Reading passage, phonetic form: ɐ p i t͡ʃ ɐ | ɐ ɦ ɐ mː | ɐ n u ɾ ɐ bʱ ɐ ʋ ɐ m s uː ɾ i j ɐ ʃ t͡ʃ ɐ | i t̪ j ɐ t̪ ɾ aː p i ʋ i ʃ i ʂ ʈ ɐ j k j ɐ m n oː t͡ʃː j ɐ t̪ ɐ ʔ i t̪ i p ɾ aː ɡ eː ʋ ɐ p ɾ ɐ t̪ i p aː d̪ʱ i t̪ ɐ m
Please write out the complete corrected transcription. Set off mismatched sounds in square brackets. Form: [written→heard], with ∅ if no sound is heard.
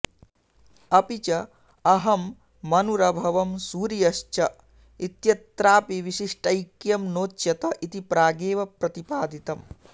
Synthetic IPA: ɐ p i t͡ʃ ɐ | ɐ ɦ ɐ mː | ɐ n u ɾ ɐ bʱ ɐ ʋ ɐ m s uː ɾ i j ɐ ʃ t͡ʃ ɐ | i t̪ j ɐ t̪ ɾ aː p i ʋ i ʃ i ʂ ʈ ɐ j k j ɐ m n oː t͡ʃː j ɐ t̪ ɐ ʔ i t̪ i p ɾ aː ɡ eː ʋ ɐ p ɾ ɐ t̪ i p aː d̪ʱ i t̪ ɐ m